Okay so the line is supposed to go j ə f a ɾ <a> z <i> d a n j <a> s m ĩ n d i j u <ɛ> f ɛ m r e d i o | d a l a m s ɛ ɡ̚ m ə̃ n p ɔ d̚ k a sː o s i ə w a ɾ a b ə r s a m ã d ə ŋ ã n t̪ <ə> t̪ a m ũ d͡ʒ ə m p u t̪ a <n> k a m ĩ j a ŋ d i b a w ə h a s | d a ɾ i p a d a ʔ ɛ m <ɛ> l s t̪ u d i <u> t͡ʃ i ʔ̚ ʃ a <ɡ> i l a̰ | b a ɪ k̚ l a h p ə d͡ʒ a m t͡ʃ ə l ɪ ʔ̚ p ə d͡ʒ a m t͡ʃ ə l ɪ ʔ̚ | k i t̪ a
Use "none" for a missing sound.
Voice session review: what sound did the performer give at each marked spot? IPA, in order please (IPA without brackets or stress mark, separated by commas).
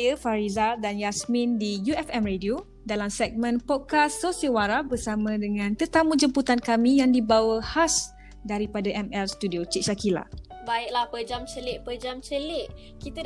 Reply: i, a, a, ɛ, ə, n, ɛ, o, k